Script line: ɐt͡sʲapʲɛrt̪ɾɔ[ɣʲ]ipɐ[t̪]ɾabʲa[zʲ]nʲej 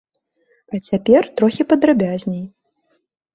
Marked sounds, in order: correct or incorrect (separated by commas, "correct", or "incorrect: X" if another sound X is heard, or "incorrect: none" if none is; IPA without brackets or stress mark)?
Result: incorrect: xʲ, incorrect: d̪, correct